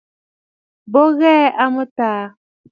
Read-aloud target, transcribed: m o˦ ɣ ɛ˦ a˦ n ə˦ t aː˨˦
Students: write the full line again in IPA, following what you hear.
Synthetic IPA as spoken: b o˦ ɣ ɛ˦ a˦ m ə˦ t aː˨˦